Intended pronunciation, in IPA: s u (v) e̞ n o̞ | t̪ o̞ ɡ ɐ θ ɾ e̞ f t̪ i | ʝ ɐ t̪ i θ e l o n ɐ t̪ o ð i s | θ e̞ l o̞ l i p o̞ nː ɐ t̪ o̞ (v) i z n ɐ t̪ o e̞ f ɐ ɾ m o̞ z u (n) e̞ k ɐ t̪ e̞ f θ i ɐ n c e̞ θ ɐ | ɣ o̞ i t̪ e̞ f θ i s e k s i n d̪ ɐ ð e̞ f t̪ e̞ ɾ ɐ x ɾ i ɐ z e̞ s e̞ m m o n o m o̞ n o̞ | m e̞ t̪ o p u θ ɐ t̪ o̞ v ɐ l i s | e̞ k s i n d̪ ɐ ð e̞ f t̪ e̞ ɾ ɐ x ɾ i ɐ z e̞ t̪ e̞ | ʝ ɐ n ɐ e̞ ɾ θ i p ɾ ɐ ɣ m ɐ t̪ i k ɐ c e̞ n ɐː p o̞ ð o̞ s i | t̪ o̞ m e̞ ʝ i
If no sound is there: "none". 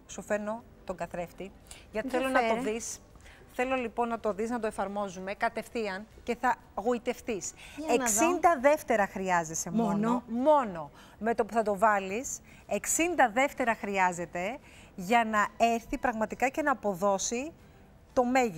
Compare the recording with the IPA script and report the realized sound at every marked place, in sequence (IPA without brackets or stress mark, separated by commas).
f, ð, m